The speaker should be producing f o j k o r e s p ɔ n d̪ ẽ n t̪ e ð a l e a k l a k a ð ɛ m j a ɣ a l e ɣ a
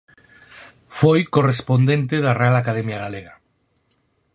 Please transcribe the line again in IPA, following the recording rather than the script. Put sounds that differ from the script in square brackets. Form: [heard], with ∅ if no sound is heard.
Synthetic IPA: f o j k o r e s p [o] n d̪ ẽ n t̪ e ð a [r] e a [∅] l a k a ð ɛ m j a ɣ a l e ɣ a